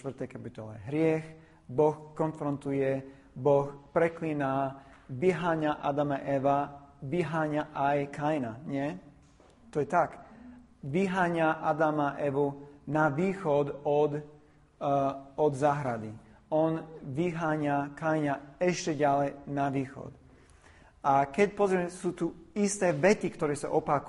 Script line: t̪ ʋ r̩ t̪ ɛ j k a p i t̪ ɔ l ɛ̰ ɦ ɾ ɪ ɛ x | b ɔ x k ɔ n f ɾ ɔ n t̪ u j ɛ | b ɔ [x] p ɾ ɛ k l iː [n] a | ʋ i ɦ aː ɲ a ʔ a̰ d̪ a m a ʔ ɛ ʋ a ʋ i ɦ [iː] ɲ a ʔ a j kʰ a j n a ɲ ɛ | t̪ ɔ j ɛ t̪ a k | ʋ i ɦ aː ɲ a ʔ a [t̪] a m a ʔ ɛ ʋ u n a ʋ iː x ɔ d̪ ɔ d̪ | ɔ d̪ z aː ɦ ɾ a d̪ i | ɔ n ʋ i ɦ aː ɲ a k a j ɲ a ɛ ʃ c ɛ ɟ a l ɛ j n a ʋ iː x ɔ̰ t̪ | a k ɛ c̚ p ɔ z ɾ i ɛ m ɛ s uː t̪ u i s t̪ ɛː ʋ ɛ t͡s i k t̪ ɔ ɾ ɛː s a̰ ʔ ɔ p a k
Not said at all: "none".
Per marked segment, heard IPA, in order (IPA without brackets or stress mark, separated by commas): x, n, aː, d̪